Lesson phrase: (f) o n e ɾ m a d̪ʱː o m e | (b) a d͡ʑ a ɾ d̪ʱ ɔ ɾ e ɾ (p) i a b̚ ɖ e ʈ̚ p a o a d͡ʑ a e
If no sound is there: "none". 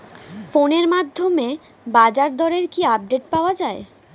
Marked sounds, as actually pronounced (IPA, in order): f, b, k

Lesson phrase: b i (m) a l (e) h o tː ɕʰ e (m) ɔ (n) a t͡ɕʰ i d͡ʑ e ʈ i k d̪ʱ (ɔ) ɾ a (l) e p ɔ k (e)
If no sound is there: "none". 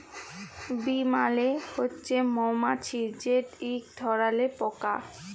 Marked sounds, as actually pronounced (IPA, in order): m, e, m, m, ɔ, l, a

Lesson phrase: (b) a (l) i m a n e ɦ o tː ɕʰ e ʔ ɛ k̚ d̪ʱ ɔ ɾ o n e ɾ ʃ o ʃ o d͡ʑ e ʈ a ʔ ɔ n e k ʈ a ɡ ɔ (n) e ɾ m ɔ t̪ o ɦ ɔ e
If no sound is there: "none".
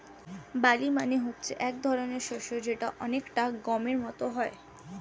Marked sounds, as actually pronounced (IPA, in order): b, l, m

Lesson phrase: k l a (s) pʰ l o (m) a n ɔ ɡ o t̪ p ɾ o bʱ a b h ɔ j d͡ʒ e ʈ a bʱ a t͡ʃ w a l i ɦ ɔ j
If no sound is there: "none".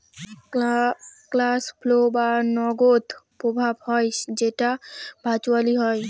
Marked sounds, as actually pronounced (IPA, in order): s, b

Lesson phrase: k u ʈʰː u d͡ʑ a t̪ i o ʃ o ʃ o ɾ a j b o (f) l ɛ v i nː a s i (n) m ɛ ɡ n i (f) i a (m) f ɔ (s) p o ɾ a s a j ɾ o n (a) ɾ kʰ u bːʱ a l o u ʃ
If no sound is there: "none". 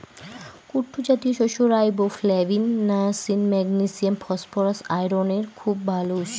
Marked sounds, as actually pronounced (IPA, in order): f, n, s, m, s, e

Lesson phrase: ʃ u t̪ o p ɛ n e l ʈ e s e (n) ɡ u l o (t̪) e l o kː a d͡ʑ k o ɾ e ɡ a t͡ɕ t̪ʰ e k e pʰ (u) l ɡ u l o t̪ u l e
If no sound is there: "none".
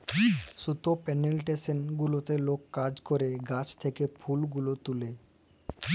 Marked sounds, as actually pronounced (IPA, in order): n, t̪, u

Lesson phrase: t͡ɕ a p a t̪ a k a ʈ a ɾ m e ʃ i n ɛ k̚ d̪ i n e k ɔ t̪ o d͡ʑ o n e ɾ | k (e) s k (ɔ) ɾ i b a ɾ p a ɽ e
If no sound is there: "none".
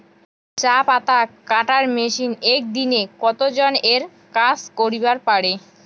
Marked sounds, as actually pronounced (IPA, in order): a, o

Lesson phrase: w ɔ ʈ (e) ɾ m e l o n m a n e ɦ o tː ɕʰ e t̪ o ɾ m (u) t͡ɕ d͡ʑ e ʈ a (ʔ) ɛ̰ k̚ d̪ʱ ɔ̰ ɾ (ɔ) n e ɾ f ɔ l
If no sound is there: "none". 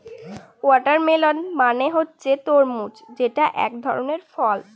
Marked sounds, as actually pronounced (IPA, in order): a, u, ʔ, o

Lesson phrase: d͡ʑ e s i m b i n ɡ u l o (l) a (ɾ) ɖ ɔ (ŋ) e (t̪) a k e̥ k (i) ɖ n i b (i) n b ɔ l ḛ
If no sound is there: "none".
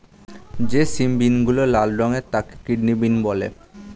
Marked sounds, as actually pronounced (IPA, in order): l, l, ŋ, t̪, i, i

